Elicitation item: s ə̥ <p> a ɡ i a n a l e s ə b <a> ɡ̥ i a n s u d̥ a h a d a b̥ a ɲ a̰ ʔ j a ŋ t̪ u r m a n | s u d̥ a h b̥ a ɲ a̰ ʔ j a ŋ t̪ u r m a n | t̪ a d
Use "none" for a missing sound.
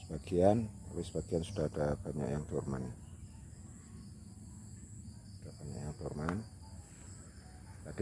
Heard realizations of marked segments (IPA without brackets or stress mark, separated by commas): b, a